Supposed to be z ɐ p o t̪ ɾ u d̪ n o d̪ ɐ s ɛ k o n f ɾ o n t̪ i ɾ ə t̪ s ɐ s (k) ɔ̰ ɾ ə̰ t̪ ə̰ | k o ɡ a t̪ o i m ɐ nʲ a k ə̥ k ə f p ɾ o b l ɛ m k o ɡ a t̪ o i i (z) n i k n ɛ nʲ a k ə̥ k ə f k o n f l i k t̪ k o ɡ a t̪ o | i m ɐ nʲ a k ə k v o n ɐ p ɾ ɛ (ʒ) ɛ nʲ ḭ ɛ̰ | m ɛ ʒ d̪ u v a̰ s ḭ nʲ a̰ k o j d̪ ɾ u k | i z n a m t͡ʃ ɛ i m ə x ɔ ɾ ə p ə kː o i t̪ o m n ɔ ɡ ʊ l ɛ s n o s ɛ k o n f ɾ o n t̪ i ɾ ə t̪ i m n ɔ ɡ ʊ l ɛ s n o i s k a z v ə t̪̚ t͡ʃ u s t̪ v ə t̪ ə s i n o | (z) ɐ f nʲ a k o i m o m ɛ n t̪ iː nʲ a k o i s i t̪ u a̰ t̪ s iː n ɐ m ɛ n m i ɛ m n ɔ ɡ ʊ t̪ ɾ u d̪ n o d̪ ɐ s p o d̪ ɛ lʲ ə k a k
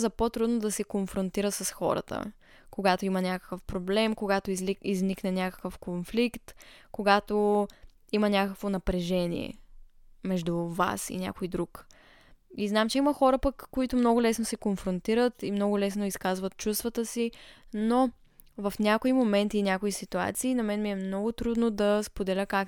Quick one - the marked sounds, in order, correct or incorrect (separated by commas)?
incorrect, correct, correct, incorrect